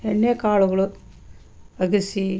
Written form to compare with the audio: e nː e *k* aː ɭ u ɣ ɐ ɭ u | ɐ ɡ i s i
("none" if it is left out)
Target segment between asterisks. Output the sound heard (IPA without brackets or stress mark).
k